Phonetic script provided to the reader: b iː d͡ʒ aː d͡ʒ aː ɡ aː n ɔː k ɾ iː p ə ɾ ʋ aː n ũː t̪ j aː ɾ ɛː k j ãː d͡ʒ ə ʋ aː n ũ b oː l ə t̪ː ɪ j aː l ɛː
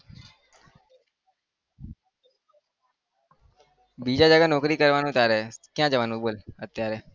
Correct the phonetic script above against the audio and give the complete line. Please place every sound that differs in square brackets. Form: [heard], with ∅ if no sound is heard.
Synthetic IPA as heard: b iː d͡ʒ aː d͡ʒ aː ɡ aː n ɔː k ɾ iː [k] ə ɾ ʋ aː n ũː t̪ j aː ɾ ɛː k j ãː d͡ʒ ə ʋ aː n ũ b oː l ə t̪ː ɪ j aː [ɾ] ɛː